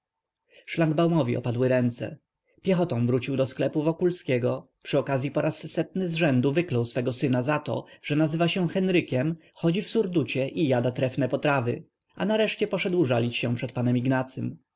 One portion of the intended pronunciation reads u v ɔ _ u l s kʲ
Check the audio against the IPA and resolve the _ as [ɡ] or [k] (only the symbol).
k